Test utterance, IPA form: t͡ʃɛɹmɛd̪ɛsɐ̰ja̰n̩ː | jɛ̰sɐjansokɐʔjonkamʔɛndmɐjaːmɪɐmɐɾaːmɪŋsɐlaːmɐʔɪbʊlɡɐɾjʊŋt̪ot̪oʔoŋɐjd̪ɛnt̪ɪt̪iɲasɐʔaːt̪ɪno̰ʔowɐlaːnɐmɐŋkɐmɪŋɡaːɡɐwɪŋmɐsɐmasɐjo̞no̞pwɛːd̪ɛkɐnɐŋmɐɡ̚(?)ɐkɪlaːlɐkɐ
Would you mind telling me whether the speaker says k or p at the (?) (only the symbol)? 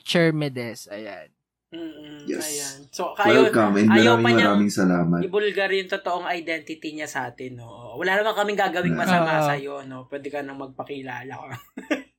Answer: p